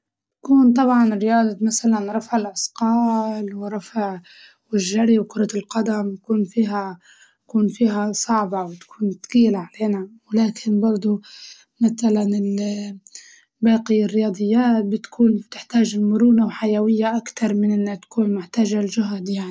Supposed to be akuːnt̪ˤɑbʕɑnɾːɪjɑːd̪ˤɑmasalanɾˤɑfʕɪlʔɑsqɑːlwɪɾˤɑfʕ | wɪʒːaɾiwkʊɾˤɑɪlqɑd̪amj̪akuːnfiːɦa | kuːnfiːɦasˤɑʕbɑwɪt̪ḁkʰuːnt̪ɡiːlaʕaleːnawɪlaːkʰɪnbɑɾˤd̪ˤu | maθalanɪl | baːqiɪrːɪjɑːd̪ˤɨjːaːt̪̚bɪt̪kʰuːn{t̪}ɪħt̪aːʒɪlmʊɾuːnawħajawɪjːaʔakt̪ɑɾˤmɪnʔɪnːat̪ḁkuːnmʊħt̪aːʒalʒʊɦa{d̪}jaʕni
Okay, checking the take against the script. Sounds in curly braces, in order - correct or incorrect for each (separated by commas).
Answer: correct, correct